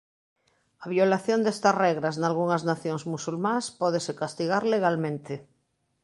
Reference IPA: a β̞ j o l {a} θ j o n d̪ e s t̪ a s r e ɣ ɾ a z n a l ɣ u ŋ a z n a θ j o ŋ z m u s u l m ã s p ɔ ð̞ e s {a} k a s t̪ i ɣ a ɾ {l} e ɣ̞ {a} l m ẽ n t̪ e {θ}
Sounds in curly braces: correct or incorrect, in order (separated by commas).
correct, incorrect, correct, correct, incorrect